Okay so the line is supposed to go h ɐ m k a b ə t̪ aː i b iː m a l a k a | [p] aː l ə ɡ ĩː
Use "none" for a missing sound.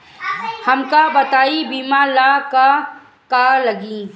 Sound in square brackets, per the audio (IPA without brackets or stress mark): k